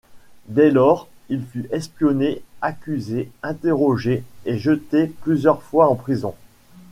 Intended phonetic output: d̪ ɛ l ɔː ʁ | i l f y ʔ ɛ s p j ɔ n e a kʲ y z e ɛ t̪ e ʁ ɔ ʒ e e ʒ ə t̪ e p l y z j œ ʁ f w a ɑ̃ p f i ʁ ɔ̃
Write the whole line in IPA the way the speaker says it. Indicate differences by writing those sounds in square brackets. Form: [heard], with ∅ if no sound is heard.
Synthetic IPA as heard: d̪ ɛ l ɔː ʁ | i l f y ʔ ɛ s p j ɔ n e a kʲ y z e [ɛ̃] t̪ e ʁ ɔ ʒ e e ʒ ə t̪ e p l y z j œ ʁ f w a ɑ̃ p [χ] i [z] ɔ̃